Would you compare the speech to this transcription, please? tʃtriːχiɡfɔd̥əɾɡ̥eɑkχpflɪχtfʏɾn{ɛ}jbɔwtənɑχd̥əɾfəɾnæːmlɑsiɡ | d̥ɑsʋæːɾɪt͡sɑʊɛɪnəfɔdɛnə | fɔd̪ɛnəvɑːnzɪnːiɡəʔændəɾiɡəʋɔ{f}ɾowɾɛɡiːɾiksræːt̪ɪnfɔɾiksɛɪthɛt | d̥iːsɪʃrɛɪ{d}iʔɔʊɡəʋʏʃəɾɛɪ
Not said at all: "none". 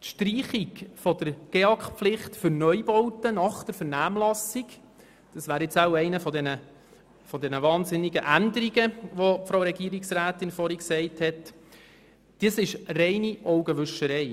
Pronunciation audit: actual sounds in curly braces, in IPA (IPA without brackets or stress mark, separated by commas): œ, f, n